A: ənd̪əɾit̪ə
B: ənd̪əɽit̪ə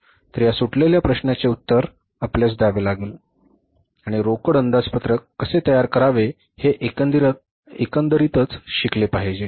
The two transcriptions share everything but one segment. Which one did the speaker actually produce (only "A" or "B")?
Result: A